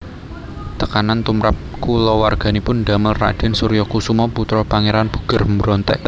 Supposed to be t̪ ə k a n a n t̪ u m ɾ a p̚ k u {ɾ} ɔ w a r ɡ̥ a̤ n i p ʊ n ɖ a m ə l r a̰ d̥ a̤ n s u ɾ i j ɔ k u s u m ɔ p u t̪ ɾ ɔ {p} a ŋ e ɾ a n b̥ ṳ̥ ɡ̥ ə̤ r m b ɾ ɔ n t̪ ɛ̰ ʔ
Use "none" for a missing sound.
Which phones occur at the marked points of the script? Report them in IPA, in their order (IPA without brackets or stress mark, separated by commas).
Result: l, p